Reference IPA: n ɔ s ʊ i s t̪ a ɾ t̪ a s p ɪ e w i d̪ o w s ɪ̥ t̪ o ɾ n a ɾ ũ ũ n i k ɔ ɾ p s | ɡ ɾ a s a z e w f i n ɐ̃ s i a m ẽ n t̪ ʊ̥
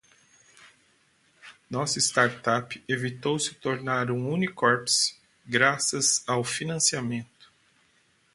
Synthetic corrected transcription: n ɔ s ʊ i s t̪ a ɾ t̪ a p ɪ e v i t̪ o w s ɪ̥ t̪ o ɾ n a ɾ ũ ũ n i k ɔ ɾ p s | ɡ ɾ a s ɐ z a w f i n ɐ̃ s i a m ẽ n t̪ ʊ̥